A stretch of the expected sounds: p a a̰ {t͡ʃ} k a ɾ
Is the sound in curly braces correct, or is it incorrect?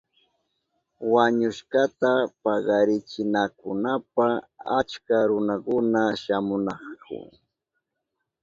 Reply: correct